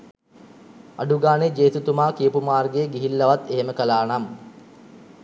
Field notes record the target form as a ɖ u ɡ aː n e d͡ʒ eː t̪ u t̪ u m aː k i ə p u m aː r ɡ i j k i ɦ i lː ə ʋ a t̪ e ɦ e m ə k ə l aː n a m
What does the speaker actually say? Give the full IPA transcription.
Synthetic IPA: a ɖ u ɡ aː n e d͡ʒ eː t̪ u t̪ u m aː k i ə p u m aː r ɡ e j ɡ i ɦ i lː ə ʋ a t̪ e ɦ e m ə k ə l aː n a m